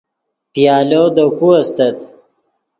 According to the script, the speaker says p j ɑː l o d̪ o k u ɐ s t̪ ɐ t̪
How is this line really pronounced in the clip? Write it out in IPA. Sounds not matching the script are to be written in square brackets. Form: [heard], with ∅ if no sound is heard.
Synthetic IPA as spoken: p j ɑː l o d̪ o k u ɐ s t̪ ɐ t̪